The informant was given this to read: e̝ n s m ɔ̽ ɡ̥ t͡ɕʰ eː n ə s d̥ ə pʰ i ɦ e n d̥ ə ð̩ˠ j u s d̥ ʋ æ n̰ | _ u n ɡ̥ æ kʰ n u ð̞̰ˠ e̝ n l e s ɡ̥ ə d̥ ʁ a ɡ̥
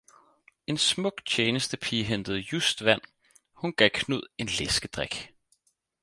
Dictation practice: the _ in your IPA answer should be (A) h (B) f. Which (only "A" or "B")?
A